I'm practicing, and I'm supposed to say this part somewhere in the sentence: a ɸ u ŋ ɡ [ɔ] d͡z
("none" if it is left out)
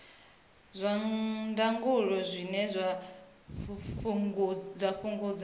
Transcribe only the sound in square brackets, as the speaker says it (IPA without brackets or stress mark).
u